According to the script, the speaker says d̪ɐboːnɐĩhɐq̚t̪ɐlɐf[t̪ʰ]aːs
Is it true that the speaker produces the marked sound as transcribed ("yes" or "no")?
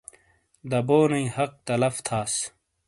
yes